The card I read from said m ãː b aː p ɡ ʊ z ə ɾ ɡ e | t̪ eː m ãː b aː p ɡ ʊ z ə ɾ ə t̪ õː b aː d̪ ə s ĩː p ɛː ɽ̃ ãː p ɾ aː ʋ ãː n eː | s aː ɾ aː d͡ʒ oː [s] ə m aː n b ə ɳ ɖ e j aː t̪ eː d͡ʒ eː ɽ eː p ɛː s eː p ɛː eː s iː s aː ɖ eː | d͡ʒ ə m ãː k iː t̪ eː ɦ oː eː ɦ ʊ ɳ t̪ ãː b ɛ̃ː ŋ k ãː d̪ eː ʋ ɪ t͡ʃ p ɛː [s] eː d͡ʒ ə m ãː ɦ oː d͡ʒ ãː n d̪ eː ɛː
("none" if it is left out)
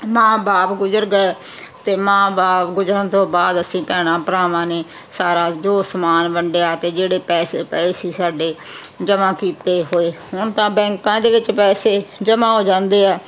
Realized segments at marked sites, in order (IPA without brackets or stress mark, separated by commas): s, s